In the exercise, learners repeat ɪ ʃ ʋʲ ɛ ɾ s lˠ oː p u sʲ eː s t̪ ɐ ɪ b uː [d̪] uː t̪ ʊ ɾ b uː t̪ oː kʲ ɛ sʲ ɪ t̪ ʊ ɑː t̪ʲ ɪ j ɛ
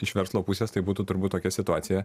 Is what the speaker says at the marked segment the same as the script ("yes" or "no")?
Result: no